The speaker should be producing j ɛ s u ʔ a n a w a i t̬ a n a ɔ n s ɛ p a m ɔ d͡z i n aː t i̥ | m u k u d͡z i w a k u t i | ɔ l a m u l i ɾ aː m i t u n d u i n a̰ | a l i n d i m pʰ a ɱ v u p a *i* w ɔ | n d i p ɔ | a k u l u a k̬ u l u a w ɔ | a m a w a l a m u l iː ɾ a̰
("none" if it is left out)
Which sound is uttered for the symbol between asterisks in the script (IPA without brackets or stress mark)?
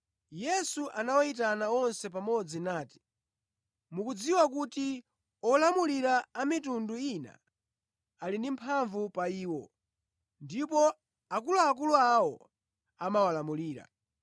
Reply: iː